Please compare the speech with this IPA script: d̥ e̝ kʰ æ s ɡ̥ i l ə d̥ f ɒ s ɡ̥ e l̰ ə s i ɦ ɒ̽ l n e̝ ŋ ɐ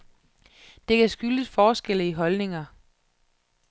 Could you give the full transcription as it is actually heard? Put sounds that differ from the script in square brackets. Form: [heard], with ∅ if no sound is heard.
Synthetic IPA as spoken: d̥ e̝ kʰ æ s ɡ̥ [y] l ə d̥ f [ɒː] s ɡ̥ e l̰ ə [∅] i ɦ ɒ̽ l n e̝ ŋ ɐ